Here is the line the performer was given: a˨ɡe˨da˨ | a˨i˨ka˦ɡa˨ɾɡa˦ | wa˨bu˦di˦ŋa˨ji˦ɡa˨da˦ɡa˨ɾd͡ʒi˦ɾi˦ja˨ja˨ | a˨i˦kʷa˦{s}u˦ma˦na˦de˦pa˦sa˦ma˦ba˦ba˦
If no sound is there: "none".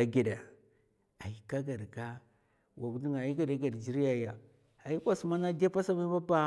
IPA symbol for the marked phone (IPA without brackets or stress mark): s